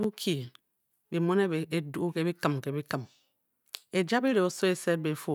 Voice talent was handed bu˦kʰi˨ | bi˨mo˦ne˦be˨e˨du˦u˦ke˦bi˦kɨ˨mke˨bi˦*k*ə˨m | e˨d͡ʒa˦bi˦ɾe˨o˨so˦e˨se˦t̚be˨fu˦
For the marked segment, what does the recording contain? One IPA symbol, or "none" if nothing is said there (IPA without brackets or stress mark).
k